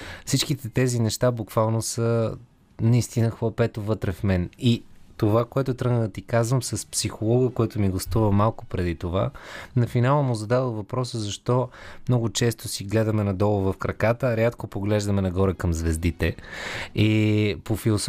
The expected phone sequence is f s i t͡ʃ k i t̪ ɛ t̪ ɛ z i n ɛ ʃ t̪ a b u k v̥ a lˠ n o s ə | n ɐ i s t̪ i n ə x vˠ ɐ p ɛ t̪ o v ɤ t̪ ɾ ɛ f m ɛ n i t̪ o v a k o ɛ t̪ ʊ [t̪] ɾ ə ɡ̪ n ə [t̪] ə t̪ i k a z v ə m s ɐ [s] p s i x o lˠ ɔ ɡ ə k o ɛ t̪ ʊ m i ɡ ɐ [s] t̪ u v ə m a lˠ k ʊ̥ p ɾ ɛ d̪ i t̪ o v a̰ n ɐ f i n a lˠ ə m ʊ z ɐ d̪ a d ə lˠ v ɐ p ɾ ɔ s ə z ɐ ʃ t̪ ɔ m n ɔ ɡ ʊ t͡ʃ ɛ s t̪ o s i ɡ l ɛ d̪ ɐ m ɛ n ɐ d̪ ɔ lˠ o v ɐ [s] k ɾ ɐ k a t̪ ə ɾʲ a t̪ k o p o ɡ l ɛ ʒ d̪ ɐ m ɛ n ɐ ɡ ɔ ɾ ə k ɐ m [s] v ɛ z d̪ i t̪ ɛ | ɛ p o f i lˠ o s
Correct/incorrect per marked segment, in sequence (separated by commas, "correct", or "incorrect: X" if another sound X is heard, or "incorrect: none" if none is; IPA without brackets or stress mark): correct, incorrect: d̪, correct, correct, incorrect: f, incorrect: z